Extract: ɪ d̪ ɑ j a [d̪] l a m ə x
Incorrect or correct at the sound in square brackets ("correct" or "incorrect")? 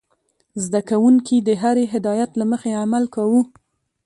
incorrect